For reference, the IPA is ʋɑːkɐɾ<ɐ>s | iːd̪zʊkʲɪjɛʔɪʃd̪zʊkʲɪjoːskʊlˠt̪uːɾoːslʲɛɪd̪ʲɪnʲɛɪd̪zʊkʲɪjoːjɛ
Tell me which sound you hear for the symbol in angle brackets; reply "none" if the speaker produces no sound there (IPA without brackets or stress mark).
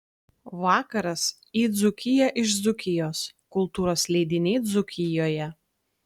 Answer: ɐ